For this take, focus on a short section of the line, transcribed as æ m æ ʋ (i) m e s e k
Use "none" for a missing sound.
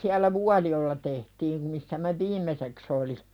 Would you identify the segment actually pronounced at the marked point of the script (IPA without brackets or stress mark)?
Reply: iː